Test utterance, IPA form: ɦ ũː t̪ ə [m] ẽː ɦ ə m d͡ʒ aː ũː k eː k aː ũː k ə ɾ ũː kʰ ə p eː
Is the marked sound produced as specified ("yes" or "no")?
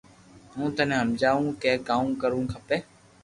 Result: no